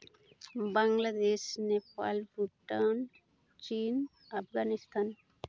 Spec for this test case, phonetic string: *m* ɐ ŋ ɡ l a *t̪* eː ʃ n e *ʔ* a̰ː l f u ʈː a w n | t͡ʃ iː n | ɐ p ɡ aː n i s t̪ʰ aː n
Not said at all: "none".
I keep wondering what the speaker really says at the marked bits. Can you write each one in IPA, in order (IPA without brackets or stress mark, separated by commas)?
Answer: b, d̪, p